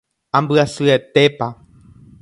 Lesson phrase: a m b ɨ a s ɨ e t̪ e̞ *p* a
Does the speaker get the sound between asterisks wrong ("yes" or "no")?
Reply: no